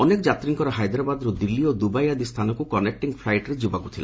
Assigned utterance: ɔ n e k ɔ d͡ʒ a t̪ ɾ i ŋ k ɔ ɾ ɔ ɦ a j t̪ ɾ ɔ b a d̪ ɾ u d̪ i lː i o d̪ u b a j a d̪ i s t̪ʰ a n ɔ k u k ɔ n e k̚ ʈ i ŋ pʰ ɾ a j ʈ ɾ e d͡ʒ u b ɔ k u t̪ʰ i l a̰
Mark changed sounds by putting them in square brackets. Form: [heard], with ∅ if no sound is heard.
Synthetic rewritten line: ɔ n e k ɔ d͡ʒ a t̪ ɾ i ŋ k ɔ ɾ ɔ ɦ a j [d̪] ɾ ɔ b a d̪ ɾ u d̪ i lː i o d̪ u b a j a d̪ i s t̪ʰ a n ɔ k u k ɔ n e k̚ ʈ i ŋ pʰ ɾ a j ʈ ɾ e d͡ʒ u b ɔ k u t̪ʰ i l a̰